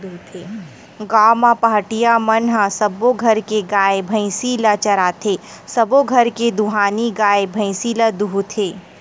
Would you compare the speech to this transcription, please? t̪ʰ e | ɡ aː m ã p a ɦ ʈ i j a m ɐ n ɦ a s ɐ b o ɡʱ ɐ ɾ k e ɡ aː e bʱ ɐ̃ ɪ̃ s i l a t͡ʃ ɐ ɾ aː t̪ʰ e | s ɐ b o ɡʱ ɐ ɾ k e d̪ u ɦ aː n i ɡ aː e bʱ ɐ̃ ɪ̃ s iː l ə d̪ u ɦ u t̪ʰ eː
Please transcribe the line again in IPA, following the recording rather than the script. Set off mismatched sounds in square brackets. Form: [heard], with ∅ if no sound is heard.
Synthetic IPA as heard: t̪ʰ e | ɡ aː m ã p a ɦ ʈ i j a m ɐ n ɦ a s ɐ b o ɡʱ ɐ ɾ k e ɡ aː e bʱ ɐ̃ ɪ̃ s i l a t͡ʃ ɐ ɾ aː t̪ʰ e | s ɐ b o ɡʱ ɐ ɾ k e d̪ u ɦ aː n i ɡ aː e bʱ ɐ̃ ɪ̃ s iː l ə d̪ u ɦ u t̪ʰ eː